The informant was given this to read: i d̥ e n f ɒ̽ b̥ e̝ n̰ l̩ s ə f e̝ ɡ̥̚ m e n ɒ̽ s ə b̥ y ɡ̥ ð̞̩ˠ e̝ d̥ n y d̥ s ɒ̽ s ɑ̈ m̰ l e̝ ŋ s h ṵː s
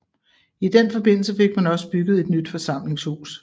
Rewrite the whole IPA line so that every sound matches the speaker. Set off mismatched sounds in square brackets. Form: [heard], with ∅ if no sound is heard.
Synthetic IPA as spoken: i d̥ e n f ɒ̽ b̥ e̝ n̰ l̩ s ə f e̝ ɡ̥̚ m [æ] n ɒ̽ s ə b̥ y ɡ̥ ð̞̩ˠ e̝ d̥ n y d̥ [f] ɒ̽ s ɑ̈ m̰ l e̝ ŋ s h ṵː s